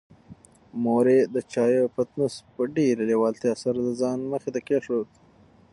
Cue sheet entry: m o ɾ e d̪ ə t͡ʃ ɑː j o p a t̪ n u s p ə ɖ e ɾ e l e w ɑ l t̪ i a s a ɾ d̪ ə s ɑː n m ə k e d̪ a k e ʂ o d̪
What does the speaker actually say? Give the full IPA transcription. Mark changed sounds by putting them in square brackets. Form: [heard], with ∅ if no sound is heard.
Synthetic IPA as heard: m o ɾ e d̪ ə t͡ʃ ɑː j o p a t̪ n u s p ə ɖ e ɾ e l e w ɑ l t̪ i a s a ɾ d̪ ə [z] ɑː n m ə [x] e [t̪] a k e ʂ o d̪

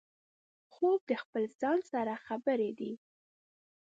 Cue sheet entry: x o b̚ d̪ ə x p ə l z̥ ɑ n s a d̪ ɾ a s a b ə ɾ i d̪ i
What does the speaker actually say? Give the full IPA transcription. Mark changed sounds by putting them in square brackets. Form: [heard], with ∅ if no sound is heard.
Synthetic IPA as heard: x o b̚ d̪ ə x p ə l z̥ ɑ n s a [∅] ɾ a [x] a b ə ɾ [e] d̪ i

